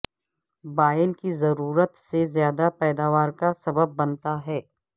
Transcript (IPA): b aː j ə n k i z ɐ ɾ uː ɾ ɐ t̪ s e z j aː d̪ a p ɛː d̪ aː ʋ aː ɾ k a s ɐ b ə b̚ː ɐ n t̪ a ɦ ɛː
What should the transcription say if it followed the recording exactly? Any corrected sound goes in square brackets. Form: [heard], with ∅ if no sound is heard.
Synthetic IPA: b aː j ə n k i z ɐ ɾ uː ɾ [ə] t̪ s e z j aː d̪ a p ɛː d̪ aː ʋ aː ɾ k a s ɐ b ə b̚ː ɐ n t̪ a ɦ ɛː